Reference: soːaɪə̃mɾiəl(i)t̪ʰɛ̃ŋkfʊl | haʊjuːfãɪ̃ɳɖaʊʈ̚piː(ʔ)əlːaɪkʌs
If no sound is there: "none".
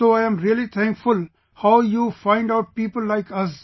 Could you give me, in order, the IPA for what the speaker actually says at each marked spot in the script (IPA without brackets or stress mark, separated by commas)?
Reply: i, p